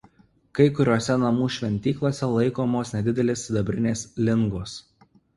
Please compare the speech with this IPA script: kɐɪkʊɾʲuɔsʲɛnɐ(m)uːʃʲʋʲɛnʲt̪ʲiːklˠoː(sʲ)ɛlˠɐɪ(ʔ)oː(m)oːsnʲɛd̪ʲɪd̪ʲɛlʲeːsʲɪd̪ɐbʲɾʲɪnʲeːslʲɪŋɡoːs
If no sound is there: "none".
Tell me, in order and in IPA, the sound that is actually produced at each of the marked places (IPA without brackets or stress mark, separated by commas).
m, sʲ, k, m